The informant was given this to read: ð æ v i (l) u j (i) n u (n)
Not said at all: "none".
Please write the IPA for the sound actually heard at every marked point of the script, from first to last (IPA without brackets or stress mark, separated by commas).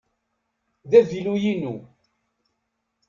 l, i, none